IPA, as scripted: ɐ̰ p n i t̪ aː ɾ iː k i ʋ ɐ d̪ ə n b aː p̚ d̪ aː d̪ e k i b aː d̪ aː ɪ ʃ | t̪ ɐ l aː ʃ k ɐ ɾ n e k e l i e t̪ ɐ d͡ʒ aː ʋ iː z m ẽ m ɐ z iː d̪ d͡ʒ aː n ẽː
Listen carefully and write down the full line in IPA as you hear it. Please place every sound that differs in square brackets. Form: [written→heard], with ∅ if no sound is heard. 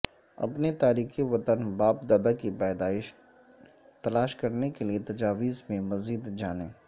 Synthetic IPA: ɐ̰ p n [i→e] t̪ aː ɾ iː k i ʋ ɐ [d̪→t̪] ə n b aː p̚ d̪ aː d̪ [e→a] k i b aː d̪ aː ɪ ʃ | t̪ ɐ l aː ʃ k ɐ ɾ n e k e l i e t̪ ɐ d͡ʒ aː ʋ iː z m ẽ m ɐ z iː d̪ d͡ʒ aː n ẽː